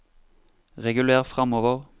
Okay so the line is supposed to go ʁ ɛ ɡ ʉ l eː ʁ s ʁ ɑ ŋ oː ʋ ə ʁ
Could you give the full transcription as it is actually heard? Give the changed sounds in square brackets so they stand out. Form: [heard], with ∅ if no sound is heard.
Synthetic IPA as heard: ʁ ɛ ɡ ʉ l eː ʁ [f] ʁ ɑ [m] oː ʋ ə ʁ

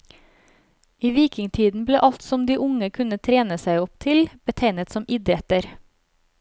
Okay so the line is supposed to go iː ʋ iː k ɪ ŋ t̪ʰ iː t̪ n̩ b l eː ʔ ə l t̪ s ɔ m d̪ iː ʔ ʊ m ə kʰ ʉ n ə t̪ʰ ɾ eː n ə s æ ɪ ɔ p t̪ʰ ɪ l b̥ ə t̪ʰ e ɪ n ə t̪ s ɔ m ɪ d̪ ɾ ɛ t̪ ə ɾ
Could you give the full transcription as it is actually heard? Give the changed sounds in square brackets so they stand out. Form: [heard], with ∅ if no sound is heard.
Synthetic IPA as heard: iː ʋ iː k ɪ ŋ t̪ʰ iː [d̪] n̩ b l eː ʔ [ɑ] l t̪ s ɔ m d̪ iː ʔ ʊ [ŋ] ə kʰ ʉ n ə t̪ʰ ɾ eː n ə s æ ɪ ɔ p t̪ʰ ɪ l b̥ ə t̪ʰ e ɪ n ə t̪ s ɔ m ɪ d̪ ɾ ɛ t̪ ə ɾ

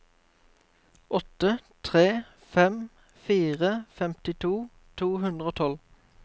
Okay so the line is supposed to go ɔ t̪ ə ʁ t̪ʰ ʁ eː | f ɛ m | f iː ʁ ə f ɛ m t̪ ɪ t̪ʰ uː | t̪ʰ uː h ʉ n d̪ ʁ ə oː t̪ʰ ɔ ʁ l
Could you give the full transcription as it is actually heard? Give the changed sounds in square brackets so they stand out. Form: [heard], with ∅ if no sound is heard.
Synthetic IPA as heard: ɔ t̪ ə [∅] t̪ʰ ʁ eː | f ɛ m | f iː ʁ ə f ɛ m t̪ ɪ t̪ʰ uː | t̪ʰ uː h ʉ n d̪ ʁ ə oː t̪ʰ ɔ [∅] l

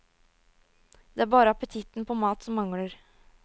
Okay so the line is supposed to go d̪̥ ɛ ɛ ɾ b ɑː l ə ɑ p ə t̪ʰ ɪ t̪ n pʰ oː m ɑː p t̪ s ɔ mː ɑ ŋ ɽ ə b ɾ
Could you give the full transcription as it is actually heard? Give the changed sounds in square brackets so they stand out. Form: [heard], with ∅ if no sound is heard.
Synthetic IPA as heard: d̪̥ ɛ [æ] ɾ b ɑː [ɾ] ə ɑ p ə t̪ʰ ɪ t̪ n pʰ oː m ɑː [∅] t̪ s ɔ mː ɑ ŋ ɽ ə [∅] ɾ

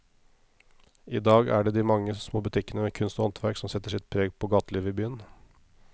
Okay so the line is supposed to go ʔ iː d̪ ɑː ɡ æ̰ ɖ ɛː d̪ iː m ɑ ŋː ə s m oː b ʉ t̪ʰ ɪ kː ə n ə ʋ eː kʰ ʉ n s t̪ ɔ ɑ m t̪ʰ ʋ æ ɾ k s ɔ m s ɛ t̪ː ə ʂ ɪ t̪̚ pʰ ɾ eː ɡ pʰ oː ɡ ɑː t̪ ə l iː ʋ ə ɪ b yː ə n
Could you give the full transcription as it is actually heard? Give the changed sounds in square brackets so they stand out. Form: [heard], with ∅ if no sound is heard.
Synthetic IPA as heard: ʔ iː d̪ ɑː ɡ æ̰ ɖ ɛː d̪ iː m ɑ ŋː ə s m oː b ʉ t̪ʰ ɪ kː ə n ə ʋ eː kʰ ʉ n s t̪ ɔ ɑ [n] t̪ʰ ʋ æ ɾ k s ɔ m s ɛ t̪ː ə ʂ ɪ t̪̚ pʰ ɾ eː ɡ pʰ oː ɡ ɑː t̪ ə l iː ʋ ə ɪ b yː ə n

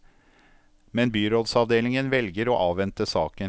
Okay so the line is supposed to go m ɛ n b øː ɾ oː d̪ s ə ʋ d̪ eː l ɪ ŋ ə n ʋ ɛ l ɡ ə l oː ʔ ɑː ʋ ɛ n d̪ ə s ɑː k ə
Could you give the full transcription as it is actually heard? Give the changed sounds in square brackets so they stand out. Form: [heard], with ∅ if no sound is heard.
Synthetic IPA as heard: m ɛ n b [yː] ɾ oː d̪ s [ɑ] ʋ d̪ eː l ɪ ŋ ə n ʋ ɛ l ɡ ə [ɾ] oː ʔ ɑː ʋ ɛ n [t̪] ə s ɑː k ə

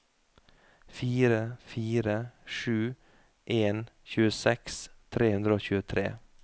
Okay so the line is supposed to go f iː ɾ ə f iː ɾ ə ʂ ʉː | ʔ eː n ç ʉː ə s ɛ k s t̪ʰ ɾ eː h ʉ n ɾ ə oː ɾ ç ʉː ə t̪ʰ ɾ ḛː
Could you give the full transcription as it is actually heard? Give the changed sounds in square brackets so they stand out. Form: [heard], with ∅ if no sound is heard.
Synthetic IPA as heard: f iː ɾ ə f iː ɾ ə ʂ ʉː | ʔ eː n ç ʉː ə s ɛ k s t̪ʰ ɾ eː h ʉ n ɾ ə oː [∅] ç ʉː ə t̪ʰ ɾ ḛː

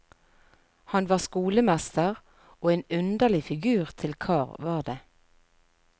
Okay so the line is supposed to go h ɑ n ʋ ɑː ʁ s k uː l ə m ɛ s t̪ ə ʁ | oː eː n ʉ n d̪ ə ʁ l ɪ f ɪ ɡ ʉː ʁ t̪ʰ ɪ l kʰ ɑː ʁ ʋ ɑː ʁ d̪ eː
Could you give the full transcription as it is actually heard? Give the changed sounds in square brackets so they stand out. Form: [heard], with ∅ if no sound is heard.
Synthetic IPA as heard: h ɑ n ʋ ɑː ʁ s k uː l ə m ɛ s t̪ ə ʁ | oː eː n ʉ n d̪ ə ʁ l ɪ f ɪ ɡ ʉː ʁ t̪ʰ ɪ l kʰ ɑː ʁ ʋ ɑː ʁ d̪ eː

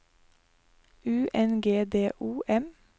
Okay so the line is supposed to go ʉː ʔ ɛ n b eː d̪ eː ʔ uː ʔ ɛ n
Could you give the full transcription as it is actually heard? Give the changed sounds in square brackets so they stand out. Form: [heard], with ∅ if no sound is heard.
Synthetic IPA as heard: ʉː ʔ ɛ n [ɡ] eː d̪ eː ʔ uː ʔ ɛ [m]

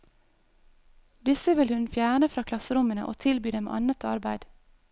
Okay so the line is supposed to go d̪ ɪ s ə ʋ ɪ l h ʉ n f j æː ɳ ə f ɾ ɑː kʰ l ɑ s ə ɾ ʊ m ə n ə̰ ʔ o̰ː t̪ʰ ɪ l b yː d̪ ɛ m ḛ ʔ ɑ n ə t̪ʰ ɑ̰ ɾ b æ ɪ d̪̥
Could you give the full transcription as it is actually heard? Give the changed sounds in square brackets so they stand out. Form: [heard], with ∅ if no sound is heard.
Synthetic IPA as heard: d̪ ɪ s ə ʋ ɪ l h ʉ n f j æː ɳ ə f ɾ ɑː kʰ l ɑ s ə ɾ ʊ m ə n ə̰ ʔ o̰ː t̪ʰ ɪ l b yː d̪ ɛ m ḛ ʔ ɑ n ə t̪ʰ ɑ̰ ɾ b æ ɪ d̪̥

